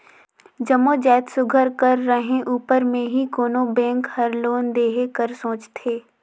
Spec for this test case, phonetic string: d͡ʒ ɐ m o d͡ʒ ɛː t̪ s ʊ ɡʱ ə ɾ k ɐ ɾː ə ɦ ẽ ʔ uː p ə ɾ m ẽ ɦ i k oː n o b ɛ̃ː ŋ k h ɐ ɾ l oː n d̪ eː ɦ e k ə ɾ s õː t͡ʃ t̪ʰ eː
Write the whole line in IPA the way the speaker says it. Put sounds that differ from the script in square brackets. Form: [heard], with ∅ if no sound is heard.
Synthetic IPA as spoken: d͡ʒ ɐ m o d͡ʒ ɛː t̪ s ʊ ɡʱ ə ɾ k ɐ ɾː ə ɦ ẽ ʔ uː p ə ɾ m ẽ ɦ i k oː n o b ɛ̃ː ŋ k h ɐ ɾ l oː n d̪ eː ɦ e k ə ɾ s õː t͡ʃ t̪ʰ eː